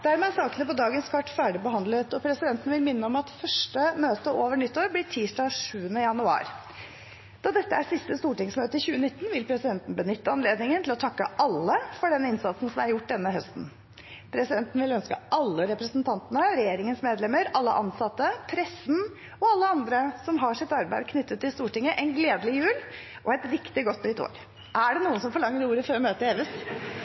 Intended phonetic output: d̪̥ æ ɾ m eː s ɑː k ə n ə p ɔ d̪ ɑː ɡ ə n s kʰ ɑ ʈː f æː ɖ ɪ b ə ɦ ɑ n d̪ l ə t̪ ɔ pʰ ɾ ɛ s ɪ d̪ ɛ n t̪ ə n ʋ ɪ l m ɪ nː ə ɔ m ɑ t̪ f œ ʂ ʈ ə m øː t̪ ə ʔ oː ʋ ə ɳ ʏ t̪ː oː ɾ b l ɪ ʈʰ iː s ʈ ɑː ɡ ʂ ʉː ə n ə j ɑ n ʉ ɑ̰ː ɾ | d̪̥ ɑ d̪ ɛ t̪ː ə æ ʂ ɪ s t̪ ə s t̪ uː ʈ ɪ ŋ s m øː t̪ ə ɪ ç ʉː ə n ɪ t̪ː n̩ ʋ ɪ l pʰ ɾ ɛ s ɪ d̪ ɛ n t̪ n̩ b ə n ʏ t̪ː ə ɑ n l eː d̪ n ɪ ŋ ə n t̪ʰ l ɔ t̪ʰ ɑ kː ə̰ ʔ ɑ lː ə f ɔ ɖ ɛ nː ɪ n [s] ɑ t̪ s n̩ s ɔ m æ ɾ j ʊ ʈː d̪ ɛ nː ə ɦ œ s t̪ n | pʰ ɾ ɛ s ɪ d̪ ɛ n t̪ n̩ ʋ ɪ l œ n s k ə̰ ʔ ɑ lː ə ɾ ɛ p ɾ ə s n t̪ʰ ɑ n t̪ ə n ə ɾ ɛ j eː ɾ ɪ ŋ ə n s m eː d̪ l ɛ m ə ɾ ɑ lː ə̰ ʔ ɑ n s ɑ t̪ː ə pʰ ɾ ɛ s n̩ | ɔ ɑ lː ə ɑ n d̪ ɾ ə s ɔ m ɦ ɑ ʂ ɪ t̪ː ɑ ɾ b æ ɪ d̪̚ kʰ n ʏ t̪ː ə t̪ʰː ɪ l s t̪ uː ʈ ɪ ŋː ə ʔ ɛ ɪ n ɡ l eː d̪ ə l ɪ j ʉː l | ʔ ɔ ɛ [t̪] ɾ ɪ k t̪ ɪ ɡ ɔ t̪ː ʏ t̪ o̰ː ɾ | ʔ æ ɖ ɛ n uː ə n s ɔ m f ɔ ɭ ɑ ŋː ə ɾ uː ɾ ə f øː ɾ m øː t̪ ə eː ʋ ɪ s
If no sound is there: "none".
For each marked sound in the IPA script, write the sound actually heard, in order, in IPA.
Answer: s, t̪

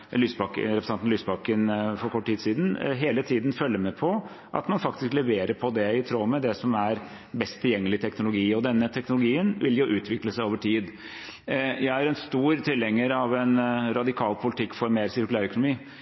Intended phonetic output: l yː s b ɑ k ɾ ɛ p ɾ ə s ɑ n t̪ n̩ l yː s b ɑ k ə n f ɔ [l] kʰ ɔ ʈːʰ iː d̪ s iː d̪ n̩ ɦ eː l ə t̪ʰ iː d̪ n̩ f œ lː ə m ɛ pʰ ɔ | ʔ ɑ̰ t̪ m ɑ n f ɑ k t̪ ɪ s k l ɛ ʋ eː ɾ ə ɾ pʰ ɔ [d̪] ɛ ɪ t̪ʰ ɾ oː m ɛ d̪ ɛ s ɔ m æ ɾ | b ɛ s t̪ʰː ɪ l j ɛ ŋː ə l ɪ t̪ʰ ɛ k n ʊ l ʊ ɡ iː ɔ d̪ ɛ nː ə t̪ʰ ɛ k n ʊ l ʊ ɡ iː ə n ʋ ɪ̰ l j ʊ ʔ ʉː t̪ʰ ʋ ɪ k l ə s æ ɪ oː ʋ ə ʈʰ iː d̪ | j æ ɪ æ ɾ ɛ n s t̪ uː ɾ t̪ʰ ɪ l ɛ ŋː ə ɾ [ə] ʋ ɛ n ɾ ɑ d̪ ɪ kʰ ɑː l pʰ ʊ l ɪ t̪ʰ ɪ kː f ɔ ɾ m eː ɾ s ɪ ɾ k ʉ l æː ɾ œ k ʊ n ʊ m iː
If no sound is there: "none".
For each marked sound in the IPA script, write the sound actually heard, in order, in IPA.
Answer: ɾ, d̪, ɑ

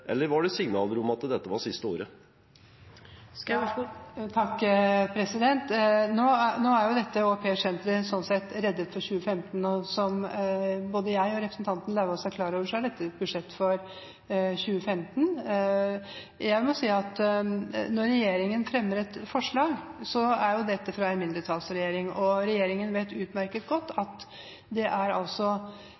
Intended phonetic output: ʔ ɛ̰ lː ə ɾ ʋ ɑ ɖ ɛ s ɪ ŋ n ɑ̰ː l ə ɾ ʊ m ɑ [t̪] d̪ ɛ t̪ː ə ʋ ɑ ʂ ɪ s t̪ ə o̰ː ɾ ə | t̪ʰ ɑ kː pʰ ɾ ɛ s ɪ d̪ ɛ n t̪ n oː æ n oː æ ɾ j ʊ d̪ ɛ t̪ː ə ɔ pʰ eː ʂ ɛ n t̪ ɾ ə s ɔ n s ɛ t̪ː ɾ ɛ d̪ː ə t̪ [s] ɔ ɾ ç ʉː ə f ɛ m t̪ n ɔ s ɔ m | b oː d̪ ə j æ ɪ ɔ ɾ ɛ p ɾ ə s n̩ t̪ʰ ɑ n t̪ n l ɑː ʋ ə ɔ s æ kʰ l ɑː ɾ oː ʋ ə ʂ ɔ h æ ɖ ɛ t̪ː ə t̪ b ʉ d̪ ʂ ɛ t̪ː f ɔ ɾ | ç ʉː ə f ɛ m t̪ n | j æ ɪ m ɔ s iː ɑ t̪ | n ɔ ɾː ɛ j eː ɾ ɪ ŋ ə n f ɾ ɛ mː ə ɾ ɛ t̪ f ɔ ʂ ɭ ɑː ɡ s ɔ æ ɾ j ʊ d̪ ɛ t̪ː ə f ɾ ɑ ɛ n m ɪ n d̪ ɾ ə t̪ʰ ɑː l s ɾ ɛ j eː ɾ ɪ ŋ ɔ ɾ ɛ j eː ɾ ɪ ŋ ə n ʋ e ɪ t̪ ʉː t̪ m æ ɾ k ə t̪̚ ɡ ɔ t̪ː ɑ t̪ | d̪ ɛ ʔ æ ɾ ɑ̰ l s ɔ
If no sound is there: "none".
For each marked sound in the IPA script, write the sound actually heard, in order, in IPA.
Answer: t̪, f

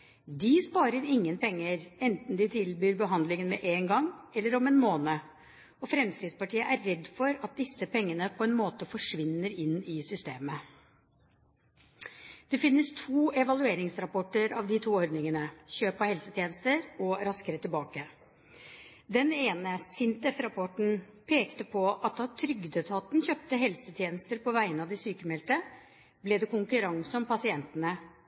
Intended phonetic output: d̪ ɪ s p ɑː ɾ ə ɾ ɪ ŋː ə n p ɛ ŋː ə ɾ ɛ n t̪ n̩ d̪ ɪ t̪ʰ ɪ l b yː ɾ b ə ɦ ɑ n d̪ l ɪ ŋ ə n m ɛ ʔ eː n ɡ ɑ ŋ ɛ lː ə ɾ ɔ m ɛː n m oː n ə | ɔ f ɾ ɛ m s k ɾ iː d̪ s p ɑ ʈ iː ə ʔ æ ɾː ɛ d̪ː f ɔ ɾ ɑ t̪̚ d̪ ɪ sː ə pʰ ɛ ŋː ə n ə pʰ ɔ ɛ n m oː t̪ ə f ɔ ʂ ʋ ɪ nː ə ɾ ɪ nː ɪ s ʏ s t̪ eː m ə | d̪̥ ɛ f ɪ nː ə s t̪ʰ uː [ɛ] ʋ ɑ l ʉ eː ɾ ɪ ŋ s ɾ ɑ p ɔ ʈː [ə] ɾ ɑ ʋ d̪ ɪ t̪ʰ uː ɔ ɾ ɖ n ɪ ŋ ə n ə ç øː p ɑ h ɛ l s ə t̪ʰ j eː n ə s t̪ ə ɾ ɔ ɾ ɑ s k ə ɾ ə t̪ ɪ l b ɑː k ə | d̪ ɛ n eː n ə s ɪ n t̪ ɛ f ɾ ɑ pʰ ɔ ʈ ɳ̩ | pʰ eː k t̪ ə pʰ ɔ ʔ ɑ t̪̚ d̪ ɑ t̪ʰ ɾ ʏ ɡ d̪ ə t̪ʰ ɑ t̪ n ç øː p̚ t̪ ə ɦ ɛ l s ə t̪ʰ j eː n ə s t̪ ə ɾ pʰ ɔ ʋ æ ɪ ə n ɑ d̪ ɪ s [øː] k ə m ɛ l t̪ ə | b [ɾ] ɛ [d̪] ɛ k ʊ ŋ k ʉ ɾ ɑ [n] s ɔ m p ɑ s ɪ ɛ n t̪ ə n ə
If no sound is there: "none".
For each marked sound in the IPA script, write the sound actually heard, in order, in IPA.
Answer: ɛ, ə, yː, l, d̪, ŋ

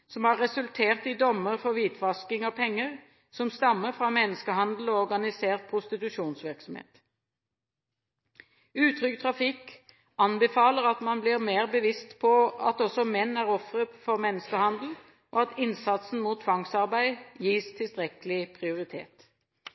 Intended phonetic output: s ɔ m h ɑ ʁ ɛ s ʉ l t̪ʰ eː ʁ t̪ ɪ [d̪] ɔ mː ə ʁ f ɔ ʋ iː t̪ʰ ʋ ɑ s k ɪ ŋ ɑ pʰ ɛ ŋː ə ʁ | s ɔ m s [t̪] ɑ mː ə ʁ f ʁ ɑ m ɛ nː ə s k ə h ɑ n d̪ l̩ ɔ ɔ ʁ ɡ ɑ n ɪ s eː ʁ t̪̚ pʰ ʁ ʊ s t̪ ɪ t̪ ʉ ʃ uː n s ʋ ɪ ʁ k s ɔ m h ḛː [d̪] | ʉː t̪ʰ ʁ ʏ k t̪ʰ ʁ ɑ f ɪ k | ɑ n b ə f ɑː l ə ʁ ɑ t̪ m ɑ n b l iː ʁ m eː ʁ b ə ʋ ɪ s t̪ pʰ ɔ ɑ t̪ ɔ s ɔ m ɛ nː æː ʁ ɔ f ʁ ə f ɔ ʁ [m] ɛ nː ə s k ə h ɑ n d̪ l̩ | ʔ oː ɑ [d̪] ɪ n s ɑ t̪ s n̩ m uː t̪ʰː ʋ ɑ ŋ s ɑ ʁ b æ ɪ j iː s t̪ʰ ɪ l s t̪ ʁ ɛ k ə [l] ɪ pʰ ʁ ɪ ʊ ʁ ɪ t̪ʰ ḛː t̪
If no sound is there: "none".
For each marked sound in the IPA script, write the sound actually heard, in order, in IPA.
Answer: d̪, t̪, t̪, m, t̪, l

